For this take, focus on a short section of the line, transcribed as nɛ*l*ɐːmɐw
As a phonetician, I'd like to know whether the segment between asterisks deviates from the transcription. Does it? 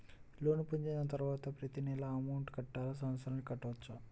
no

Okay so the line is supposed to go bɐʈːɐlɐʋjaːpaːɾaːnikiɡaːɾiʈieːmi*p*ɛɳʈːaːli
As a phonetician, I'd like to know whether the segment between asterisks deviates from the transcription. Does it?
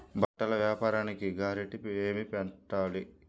no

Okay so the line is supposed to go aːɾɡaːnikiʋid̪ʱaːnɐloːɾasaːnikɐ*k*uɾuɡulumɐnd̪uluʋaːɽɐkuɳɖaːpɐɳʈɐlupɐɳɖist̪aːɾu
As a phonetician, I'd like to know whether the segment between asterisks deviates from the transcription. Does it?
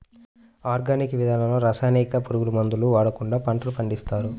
yes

